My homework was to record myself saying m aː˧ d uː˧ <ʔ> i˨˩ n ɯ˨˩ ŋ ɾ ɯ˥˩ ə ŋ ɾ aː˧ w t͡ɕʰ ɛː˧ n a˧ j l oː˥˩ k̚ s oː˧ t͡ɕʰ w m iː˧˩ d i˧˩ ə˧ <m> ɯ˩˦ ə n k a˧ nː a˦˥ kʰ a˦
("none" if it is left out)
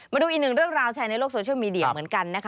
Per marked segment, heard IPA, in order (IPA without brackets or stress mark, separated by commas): ʔ, m